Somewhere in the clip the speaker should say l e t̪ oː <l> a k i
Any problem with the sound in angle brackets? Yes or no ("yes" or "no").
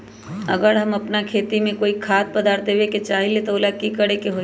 no